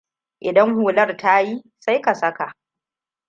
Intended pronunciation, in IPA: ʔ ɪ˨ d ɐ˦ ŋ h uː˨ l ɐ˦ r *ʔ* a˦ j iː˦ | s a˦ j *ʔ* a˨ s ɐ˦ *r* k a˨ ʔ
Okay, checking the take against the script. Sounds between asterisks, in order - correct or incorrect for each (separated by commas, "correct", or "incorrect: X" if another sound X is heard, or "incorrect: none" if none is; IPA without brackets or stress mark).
incorrect: t, incorrect: k, incorrect: none